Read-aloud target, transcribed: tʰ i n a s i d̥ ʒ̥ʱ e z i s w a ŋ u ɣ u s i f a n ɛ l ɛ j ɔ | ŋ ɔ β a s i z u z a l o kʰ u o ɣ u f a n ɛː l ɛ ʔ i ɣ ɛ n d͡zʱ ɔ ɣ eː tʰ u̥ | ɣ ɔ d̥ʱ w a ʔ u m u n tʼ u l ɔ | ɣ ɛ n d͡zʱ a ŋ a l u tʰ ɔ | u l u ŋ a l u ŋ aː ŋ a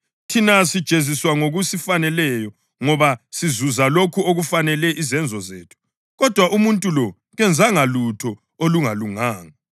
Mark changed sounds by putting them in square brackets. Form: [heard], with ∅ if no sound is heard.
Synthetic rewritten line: tʰ i n a s i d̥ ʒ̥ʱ e z i s w a ŋ [o] ɣ u s i f a n ɛ l ɛ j ɔ | ŋ ɔ β a s i z u z a l o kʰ u o ɣ u f a n [ɛ] l ɛ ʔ i [z] ɛ n d͡zʱ ɔ [z] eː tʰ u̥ | ɣ ɔ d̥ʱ w a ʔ u m u n tʼ u l ɔ | ɣ ɛ n d͡zʱ a ŋ a l u tʰ ɔ | [o] l u ŋ a l u ŋ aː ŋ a